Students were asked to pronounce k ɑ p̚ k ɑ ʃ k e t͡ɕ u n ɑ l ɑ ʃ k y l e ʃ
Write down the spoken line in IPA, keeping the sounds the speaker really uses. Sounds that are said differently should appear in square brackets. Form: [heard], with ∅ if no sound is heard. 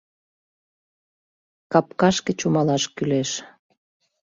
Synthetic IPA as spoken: k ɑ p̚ k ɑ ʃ k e t͡ɕ u [m] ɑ l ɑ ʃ k y l e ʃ